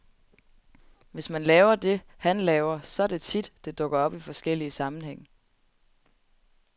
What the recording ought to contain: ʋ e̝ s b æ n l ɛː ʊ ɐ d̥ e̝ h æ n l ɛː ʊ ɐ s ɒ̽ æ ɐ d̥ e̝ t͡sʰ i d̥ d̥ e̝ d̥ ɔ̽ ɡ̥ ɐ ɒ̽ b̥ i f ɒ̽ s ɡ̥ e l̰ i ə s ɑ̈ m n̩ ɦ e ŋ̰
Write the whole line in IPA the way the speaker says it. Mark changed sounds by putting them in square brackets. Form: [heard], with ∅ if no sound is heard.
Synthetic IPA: ʋ e̝ s [m] æ n l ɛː ʊ ɐ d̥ e̝ h æ n l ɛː ʊ ɐ s ɒ̽ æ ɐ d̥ e̝ t͡sʰ i d̥ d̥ e̝ d̥ ɔ̽ ɡ̥ ɐ ɒ̽ b̥ i f ɒ̽ s ɡ̥ e l̰ i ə s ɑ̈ m n̩ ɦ e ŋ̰